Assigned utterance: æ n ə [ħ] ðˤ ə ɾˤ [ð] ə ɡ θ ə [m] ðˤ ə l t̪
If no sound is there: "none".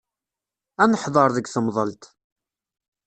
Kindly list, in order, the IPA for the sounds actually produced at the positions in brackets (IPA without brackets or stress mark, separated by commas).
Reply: ħ, ð, m